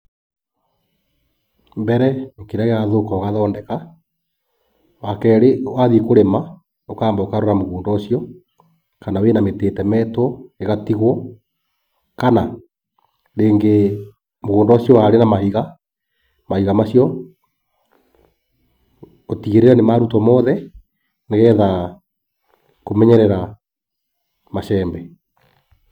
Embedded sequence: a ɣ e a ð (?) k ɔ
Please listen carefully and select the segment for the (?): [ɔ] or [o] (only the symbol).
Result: o